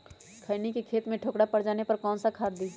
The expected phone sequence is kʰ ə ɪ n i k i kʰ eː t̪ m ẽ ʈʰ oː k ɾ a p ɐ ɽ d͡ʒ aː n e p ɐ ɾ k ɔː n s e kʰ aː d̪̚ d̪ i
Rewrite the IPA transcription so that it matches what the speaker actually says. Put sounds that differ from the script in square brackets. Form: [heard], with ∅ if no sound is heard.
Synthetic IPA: kʰ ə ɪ n i k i kʰ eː t̪ m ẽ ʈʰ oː k [ɽ] a p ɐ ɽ d͡ʒ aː n e p ɐ ɾ k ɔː n s [a] kʰ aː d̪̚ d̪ i